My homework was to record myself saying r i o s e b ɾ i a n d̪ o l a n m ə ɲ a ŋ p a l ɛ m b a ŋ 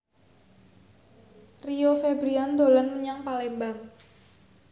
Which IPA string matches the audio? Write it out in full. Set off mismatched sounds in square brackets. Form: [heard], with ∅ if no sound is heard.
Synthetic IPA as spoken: r i o [f] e b ɾ i a n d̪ o l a n m ə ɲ a ŋ p a l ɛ m b a ŋ